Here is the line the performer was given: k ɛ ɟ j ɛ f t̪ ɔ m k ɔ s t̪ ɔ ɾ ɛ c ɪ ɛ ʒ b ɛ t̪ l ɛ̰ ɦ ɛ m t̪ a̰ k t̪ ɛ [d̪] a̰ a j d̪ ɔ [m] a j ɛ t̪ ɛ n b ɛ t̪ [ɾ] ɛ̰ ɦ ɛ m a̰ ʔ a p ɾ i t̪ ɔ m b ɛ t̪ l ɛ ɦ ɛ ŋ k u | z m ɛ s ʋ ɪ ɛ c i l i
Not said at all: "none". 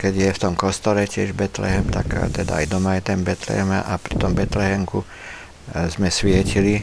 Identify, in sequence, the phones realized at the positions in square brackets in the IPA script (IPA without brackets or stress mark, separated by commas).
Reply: d̪, m, l